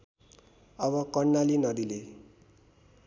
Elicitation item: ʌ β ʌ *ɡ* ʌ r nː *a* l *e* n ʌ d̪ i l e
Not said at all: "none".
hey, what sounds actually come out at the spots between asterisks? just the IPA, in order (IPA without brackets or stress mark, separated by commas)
k, a, i